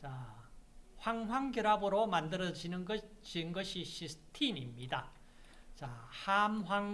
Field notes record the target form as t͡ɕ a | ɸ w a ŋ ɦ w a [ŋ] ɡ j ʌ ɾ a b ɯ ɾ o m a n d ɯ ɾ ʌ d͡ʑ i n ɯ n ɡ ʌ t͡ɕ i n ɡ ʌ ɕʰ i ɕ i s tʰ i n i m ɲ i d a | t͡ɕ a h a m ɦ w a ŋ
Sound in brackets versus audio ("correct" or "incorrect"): correct